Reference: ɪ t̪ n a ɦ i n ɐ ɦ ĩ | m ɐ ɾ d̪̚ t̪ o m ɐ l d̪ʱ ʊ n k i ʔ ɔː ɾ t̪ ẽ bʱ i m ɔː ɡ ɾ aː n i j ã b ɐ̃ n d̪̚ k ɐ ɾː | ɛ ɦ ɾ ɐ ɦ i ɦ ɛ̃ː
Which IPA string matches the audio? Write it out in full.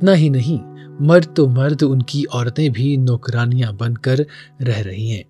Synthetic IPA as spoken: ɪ t̪ n a ɦ i n ɐ ɦ ĩ | m ɐ ɾ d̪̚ t̪ o m ɐ ɾ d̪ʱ ʊ n k i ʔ ɔː ɾ t̪ ẽ bʱ i n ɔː k ɾ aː n i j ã b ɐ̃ n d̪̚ k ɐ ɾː | ɛ ɦ ɾ ɐ ɦ i ɦ ɛ̃ː